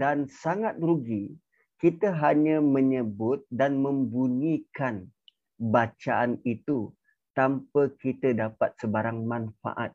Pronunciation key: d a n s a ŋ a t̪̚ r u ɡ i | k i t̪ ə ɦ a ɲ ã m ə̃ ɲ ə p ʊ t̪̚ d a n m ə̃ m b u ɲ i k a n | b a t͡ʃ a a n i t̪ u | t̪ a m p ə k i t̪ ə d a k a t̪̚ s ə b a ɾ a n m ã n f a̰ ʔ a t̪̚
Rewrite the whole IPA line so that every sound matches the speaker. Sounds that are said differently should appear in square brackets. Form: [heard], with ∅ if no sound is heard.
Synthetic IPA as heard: d a n s a ŋ a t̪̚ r u ɡ i | k i t̪ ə ɦ a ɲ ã m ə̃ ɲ ə [b] ʊ t̪̚ d a n m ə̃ m b u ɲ i k a n | b a t͡ʃ a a n i t̪ u | t̪ a m p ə k i t̪ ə d a [p] a t̪̚ s ə b a ɾ a [ŋ] m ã n f a̰ ʔ a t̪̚